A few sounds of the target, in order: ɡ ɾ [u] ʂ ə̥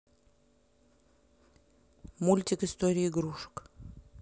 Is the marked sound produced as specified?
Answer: yes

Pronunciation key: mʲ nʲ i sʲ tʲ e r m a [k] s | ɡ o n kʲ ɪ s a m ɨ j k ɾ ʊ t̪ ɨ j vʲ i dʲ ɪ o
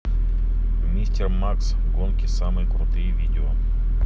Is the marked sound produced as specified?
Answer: yes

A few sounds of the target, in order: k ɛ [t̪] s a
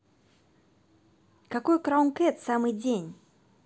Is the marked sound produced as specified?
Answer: yes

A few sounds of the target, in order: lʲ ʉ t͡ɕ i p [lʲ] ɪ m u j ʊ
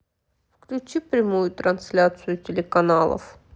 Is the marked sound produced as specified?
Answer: no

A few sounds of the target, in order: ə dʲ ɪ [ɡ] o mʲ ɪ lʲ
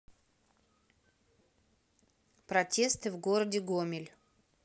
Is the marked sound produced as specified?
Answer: yes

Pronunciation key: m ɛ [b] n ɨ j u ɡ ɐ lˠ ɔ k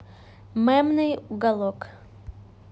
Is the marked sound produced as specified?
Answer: no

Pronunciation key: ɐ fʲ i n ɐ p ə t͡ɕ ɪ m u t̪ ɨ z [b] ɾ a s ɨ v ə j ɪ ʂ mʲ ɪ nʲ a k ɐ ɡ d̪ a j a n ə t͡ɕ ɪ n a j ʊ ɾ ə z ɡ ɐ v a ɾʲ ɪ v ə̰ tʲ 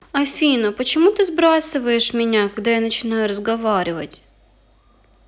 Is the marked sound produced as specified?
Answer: yes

